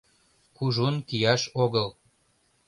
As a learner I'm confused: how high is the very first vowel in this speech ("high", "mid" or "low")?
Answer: high